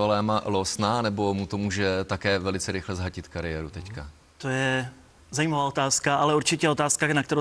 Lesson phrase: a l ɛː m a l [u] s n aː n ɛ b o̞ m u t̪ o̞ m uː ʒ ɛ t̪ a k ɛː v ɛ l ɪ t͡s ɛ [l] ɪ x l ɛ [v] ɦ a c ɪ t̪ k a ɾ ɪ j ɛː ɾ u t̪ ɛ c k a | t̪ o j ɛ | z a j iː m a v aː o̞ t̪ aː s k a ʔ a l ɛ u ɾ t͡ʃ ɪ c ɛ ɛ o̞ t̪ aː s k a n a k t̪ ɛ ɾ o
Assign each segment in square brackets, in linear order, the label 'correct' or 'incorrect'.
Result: incorrect: o, incorrect: ɾ, incorrect: z

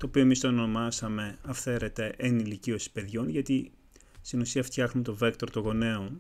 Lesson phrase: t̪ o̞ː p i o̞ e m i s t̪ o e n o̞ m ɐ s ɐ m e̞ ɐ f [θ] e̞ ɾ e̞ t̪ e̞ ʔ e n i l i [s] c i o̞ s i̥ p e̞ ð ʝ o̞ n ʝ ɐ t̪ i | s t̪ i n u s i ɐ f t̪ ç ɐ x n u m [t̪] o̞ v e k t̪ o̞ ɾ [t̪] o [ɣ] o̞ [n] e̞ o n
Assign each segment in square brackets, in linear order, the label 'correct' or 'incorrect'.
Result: correct, incorrect: none, correct, correct, correct, correct

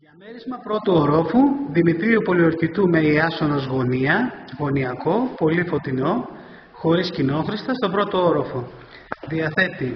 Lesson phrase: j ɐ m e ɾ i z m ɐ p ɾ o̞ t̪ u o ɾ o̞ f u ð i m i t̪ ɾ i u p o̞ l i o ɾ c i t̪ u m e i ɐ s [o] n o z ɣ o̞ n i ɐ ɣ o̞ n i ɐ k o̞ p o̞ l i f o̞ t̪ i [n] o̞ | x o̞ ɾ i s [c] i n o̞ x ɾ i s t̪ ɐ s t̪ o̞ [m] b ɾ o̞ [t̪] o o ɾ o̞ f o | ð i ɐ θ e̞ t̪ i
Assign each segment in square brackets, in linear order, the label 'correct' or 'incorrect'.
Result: correct, correct, correct, incorrect: none, correct

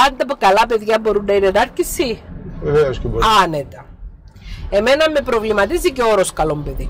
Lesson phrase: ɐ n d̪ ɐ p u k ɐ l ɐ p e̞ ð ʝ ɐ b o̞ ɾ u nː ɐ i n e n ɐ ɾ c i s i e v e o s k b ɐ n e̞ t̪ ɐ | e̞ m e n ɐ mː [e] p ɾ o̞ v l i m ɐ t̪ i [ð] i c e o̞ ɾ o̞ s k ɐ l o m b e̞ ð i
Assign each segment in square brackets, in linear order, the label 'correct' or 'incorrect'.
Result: correct, incorrect: z

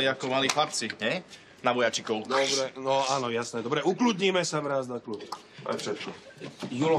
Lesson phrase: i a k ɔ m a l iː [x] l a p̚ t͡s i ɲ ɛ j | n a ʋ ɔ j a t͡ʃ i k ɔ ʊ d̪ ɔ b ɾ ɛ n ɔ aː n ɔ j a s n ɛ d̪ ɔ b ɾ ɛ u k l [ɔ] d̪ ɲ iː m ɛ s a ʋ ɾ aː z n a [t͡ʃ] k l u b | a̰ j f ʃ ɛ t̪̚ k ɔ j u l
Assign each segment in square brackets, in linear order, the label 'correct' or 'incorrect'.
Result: correct, incorrect: u, incorrect: none

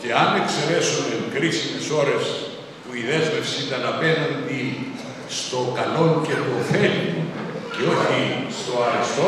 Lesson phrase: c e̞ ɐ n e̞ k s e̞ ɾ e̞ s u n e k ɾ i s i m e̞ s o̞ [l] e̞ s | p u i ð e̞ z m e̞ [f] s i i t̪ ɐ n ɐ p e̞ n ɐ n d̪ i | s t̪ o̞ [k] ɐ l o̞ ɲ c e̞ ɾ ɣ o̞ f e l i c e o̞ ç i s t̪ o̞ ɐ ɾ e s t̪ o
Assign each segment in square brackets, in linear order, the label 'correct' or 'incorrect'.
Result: incorrect: ɾ, correct, correct

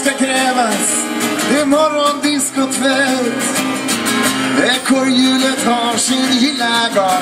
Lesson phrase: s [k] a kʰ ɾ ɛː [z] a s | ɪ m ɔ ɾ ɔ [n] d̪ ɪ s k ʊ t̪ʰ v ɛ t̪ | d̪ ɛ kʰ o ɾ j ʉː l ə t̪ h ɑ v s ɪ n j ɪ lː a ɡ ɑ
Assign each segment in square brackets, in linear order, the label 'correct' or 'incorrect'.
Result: correct, incorrect: v, correct

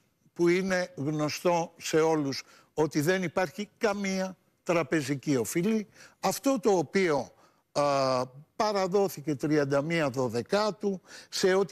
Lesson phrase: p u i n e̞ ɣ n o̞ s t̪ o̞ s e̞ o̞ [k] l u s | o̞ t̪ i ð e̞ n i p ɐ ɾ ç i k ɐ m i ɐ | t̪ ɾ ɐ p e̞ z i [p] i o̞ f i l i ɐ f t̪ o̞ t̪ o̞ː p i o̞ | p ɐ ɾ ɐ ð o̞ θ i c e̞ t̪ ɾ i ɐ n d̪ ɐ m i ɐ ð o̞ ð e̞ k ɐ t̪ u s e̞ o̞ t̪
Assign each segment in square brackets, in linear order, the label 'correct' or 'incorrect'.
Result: incorrect: none, incorrect: c

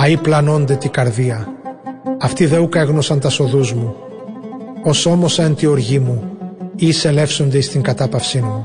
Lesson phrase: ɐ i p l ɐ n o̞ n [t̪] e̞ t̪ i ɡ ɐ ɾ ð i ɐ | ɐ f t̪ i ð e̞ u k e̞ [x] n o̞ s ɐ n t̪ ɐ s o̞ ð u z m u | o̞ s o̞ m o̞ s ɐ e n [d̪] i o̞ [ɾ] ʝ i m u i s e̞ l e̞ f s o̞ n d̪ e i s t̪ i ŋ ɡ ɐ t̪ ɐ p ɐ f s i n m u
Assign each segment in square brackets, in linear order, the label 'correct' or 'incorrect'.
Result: incorrect: d̪, incorrect: ɣ, incorrect: t̪, correct

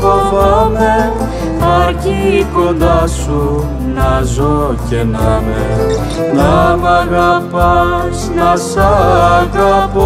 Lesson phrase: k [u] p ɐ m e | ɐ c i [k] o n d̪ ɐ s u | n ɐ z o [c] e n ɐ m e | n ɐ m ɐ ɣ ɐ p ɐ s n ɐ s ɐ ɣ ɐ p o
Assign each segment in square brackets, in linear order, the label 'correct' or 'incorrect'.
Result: incorrect: o, correct, correct

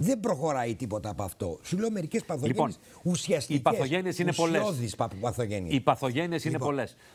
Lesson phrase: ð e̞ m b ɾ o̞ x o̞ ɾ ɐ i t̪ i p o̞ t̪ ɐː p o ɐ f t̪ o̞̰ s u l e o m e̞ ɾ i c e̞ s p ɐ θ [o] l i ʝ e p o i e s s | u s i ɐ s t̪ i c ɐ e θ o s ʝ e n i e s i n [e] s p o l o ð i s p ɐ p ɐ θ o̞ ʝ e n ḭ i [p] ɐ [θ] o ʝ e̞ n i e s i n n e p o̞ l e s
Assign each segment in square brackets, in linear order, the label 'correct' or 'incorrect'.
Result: correct, correct, correct, correct

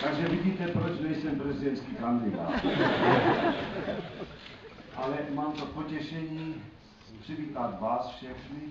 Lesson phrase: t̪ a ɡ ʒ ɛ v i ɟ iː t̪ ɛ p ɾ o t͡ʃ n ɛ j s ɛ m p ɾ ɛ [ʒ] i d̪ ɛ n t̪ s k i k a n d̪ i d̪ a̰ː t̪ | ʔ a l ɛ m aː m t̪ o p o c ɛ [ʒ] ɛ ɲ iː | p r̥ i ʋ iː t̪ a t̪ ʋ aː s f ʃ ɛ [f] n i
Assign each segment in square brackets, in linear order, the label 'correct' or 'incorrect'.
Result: incorrect: z, incorrect: ʃ, incorrect: x

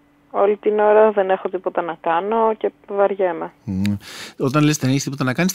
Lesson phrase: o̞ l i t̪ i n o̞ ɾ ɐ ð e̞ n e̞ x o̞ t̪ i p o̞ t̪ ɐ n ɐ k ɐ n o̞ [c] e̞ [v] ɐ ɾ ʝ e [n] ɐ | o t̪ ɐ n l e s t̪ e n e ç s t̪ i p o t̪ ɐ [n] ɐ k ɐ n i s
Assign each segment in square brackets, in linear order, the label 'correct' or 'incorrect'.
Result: correct, correct, incorrect: m, correct

